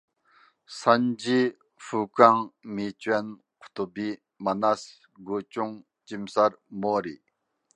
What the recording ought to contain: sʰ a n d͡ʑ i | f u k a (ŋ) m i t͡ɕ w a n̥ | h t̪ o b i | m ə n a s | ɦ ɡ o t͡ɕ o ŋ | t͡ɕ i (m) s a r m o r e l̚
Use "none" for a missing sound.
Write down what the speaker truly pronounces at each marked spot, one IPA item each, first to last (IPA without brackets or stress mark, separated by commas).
ŋ, m